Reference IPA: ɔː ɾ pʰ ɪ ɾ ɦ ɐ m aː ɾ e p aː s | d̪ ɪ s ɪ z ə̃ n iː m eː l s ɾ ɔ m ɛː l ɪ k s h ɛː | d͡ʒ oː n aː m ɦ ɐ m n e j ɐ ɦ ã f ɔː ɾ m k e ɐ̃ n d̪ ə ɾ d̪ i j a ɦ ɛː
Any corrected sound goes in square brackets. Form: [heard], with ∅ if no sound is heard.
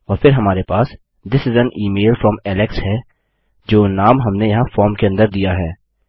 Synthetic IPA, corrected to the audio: ɔː ɾ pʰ ɪ ɾ ɦ ɐ m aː ɾ e p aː s | d̪ ɪ s ɪ z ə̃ n iː m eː l [f] ɾ ɔ m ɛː l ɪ k s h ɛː | d͡ʒ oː n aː m ɦ ɐ m n e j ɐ ɦ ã f ɔː ɾ m k e ɐ̃ n d̪ ə ɾ d̪ i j a ɦ ɛː